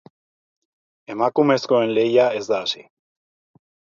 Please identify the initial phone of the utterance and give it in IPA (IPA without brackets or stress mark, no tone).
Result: e̞